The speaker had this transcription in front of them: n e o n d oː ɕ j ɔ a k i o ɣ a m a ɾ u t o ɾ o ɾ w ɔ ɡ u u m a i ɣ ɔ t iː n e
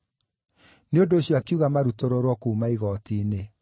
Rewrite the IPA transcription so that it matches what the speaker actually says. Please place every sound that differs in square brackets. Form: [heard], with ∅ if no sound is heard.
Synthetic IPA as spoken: n e o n d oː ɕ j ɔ a k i [u] ɣ a m a ɾ u t o ɾ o ɾ w ɔ [k] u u m a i ɣ ɔ t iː n e